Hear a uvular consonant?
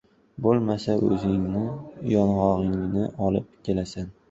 yes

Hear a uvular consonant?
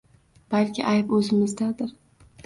no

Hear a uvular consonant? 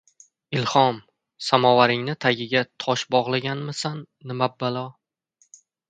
yes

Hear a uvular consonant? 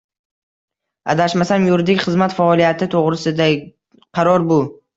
yes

